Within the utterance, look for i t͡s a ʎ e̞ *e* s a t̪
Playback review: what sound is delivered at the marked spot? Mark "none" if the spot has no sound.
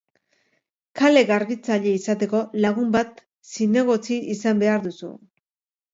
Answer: i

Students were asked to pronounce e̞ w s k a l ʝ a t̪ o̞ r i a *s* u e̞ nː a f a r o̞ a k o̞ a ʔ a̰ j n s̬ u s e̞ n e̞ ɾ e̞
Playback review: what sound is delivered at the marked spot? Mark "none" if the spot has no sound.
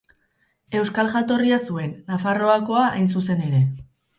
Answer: s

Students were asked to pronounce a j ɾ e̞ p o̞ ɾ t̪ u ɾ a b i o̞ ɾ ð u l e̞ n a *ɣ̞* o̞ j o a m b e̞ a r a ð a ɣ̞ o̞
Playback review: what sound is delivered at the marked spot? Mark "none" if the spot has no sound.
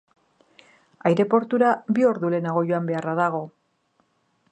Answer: ɣ̞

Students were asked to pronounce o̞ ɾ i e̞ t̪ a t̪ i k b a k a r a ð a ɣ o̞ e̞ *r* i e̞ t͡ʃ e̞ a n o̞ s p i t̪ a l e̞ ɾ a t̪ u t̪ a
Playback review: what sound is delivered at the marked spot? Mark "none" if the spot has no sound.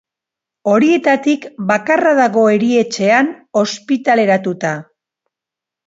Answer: ɾ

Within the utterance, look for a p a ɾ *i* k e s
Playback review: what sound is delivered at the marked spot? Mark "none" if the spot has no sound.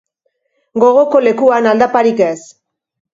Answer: i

